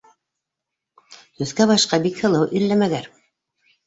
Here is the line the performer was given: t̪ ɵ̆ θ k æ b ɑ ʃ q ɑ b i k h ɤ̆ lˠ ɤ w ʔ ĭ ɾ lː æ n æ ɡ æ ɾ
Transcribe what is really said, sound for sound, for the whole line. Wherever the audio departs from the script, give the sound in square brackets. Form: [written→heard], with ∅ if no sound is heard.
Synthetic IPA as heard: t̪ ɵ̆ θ k æ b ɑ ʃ q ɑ b i k h ɤ̆ lˠ ɤ w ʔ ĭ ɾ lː æ [n→m] æ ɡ æ ɾ